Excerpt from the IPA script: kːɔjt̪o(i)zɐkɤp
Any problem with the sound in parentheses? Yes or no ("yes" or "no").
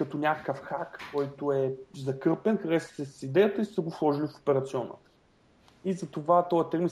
yes